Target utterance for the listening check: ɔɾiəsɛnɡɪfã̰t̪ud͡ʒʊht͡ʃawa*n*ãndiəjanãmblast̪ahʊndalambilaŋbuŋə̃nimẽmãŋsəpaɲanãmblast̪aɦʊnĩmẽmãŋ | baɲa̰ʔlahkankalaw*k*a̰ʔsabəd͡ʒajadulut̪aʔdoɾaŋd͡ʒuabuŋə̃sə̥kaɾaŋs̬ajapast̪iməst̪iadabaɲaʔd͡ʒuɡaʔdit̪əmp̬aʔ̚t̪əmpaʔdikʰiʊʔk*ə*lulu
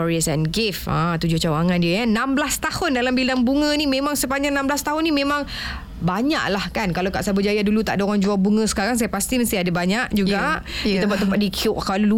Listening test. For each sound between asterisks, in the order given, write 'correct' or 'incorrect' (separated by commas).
incorrect, correct, incorrect